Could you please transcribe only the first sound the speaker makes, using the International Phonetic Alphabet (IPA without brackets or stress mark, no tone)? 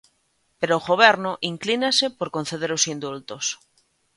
p